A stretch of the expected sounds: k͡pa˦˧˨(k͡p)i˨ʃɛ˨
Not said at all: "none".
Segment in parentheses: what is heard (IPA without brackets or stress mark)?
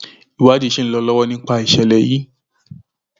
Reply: none